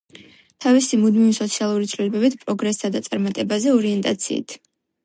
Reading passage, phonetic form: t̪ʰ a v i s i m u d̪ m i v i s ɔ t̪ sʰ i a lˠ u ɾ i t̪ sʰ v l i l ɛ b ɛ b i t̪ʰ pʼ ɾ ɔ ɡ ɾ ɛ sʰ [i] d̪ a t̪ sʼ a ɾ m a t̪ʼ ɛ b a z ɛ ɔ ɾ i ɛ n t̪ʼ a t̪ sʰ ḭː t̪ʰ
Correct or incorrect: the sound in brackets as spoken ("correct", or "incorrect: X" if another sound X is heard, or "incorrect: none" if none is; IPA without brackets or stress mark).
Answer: incorrect: a